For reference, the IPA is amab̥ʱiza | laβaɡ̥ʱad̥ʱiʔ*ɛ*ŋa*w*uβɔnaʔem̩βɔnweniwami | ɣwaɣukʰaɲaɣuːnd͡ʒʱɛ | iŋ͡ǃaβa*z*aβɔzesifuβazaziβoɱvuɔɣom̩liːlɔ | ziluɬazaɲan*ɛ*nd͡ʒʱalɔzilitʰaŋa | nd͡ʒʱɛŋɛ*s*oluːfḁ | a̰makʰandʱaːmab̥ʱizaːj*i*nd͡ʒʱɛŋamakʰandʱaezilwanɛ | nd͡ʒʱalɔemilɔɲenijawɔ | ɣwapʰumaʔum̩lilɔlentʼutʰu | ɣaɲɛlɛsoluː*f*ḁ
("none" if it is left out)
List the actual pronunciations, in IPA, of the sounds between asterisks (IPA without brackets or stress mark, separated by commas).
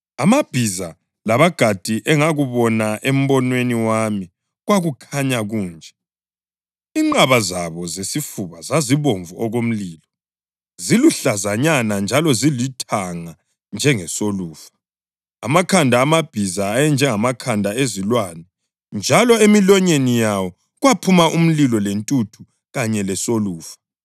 ɛ, ɣ, z, a, s, ɛ, f